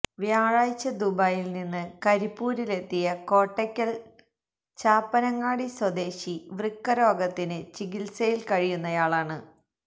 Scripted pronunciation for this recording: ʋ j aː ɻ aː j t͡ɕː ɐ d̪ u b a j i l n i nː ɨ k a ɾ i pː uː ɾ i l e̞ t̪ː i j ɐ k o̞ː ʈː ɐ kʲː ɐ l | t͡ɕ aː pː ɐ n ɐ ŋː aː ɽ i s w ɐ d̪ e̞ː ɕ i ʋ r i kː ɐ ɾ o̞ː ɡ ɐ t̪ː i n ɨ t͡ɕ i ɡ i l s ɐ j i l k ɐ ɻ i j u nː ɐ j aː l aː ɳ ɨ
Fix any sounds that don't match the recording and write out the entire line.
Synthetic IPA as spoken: ʋ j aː ɻ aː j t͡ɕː ɐ d̪ u b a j i l n i nː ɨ k ɐ ɾ i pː uː ɾ i l e̞ t̪ː i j ɐ k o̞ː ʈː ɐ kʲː ɐ l | t͡ɕ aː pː ɐ n ɐ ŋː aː ɽ i s w ɐ d̪ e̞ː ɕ i ʋ r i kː ɐ ɾ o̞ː ɡ ɐ t̪ː i n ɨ t͡ɕ i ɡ i l s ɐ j i l k ɐ ɻ i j u nː ɐ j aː ɭ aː ɳ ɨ

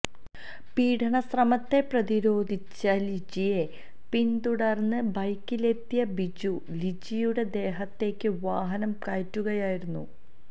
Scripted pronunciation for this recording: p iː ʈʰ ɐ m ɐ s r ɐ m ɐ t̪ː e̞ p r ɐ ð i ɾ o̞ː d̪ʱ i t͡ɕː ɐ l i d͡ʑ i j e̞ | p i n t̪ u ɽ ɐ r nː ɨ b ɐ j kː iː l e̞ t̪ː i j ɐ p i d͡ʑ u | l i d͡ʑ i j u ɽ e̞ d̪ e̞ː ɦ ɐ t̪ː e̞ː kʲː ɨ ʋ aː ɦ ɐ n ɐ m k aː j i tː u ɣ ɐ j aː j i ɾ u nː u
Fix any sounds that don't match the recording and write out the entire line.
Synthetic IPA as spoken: p iː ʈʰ ɐ ɳ ɐ s r ɐ m ɐ t̪ː e̞ p r ɐ ð i ɾ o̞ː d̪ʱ i t͡ɕː ɐ l i d͡ʑ i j e̞ | p i n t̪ u ɽ ɐ r nː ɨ b ɐ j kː i l e̞ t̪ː i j ɐ b i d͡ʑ u | l i d͡ʑ i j u ɽ e̞ d̪ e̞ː ɦ ɐ t̪ː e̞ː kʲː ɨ ʋ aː ɦ ɐ n ɐ m k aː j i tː u ɣ ɐ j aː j i ɾ u nː u

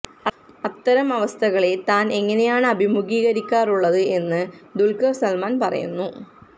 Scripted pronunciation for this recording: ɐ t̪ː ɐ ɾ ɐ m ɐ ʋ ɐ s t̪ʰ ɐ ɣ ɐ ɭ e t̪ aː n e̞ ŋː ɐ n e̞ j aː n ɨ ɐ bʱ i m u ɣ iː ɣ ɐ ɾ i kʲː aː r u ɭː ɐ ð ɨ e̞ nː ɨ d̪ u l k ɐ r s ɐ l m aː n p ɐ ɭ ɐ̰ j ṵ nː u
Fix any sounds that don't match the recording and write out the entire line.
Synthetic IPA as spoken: ɐ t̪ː ɐ ɾ ɐ m ɐ ʋ ɐ s t̪ʰ ɐ ɣ ɐ ɭ e t̪ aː n e̞ ŋː ɐ n e̞ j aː ɳ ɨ ɐ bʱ i m u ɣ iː ɣ ɐ ɾ i kʲː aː r u ɭː ɐ ð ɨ e̞ nː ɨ d̪ u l k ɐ r s ɐ l m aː n p ɐ r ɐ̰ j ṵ nː u

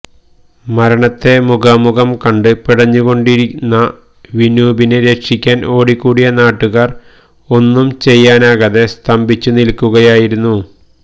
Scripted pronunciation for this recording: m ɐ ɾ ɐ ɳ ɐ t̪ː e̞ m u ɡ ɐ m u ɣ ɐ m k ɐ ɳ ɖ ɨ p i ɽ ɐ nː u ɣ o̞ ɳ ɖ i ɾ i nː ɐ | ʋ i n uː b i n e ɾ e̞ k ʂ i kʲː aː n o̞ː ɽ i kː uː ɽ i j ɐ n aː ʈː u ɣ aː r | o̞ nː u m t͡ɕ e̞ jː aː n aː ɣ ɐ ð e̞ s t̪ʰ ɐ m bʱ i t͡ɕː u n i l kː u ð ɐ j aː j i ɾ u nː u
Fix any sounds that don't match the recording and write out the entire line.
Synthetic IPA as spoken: m ɐ ɾ ɐ ɳ ɐ t̪ː e̞ m u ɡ ɐ m u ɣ ɐ m k ɐ ɳ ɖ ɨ p i ɽ ɐ ɲː u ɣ o̞ ɳ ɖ i ɾ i nː ɐ | ʋ i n uː b i n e ɾ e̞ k ʂ i kʲː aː n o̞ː ɽ i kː uː ɽ i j ɐ n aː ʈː u ɣ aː r | o̞ nː u m t͡ɕ e̞ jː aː n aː ɣ ɐ ð e̞ s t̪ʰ ɐ m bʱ i t͡ɕː u n i l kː u ɣ ɐ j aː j i ɾ u nː u

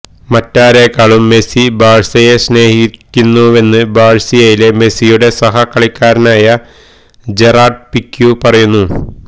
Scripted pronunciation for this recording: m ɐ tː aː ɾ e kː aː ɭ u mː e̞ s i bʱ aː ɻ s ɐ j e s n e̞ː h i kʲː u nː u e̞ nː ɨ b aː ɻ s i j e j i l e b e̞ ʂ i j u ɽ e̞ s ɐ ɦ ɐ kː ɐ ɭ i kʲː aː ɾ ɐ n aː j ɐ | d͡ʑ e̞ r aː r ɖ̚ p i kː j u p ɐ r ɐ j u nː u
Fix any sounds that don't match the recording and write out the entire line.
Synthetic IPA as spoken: m ɐ tː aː ɾ e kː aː ɭ u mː e̞ s i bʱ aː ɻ s ɐ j e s n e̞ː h i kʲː u nː u e̞ nː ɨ b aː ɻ s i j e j i l e m e̞ s i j u ɽ e̞ s ɐ ɦ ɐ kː ɐ ɭ i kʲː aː ɾ ɐ n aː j ɐ | d͡ʑ e̞ r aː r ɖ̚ p i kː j u p ɐ r ɐ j u nː u

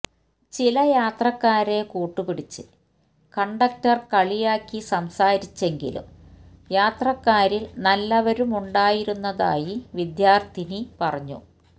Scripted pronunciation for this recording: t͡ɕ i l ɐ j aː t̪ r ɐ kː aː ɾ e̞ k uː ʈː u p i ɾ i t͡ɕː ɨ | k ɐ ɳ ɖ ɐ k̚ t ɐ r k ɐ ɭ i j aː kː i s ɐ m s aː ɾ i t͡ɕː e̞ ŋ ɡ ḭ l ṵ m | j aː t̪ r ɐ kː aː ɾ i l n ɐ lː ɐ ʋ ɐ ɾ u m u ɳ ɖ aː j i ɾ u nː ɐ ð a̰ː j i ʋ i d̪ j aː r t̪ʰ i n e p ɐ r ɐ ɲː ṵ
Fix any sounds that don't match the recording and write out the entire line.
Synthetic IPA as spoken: t͡ɕ i l ɐ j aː t̪ r ɐ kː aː ɾ e̞ k uː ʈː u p i ɽ i t͡ɕː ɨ | k ɐ ɳ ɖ ɐ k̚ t ɐ r k ɐ ɭ i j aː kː i s ɐ m s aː ɾ i t͡ɕː e̞ ŋ ɡ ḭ l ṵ m | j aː t̪ r ɐ kː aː ɾ i l n ɐ lː ɐ ʋ ɐ ɾ u m u ɳ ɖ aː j i ɾ u nː ɐ ð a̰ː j i ʋ i d̪ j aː r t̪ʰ i n i p ɐ r ɐ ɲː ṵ

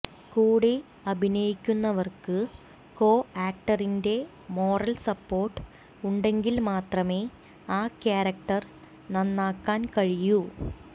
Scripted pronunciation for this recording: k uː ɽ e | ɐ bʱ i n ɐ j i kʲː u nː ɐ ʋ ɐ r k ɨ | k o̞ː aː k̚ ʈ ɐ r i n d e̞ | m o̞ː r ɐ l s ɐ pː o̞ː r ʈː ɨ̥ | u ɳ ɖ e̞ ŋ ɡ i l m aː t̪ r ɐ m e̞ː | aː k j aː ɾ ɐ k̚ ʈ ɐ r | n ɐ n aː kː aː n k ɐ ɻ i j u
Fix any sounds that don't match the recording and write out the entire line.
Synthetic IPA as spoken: k uː ɽ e | ɐ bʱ i n ɐ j i kʲː u nː ɐ ʋ ɐ r k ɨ | k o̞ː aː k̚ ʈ ɐ r i n d e̞ | m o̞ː r ɐ l s ɐ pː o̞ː r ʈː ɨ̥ | u ɳ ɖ e̞ ŋ ɡ i l m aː t̪ r ɐ m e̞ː | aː k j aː ɾ ɐ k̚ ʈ ɐ r | n ɐ nː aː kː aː n k ɐ ɻ i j u

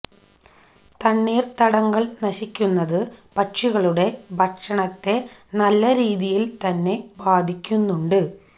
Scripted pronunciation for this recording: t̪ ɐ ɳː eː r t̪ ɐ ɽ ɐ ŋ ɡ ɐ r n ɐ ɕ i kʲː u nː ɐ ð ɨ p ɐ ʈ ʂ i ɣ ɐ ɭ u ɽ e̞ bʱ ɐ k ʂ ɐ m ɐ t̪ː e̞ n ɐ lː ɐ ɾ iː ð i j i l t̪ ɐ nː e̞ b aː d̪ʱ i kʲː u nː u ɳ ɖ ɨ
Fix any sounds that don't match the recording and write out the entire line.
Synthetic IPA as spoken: t̪ ɐ ɳː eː r t̪ ɐ ɽ ɐ ŋ ɡ ɐ ɭ n ɐ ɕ i kʲː u nː ɐ ð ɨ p ɐ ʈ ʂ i ɣ ɐ ɭ u ɽ e̞ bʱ ɐ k ʂ ɐ ɳ ɐ t̪ː e̞ n ɐ lː ɐ ɾ iː ð i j i l t̪ ɐ nː e̞ b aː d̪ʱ i kʲː u nː u ɳ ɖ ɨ

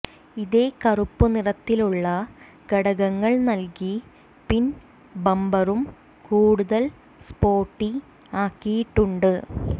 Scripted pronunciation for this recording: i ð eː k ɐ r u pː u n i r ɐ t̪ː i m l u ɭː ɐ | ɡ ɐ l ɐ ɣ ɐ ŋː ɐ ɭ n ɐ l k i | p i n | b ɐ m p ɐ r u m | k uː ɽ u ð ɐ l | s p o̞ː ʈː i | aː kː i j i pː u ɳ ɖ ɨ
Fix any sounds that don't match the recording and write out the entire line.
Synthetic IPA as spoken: i ð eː k ɐ r u pː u n i r ɐ t̪ː i l u ɭː ɐ | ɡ ɐ ɽ ɐ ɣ ɐ ŋː ɐ ɭ n ɐ l k i | p i n | b ɐ m b ɐ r u m | k uː ɽ u ð ɐ l | s p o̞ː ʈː i | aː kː i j i ʈː u ɳ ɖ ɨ

